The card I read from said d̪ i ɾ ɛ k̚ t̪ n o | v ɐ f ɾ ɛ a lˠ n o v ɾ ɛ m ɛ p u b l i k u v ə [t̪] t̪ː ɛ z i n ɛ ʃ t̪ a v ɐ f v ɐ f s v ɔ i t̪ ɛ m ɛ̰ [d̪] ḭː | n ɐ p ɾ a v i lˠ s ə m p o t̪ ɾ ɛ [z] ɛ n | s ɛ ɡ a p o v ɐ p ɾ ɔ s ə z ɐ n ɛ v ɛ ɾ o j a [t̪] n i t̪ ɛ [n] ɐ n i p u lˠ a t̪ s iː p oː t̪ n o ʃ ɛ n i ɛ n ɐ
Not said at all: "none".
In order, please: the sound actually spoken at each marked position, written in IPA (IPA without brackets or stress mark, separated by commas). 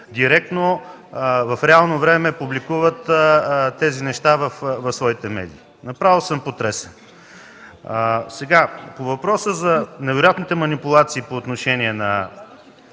t̪, d̪, s, t̪, m